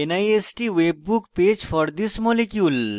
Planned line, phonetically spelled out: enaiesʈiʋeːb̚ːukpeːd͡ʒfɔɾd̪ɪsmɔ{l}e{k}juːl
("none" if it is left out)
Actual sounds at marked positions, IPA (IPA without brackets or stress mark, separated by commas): l, k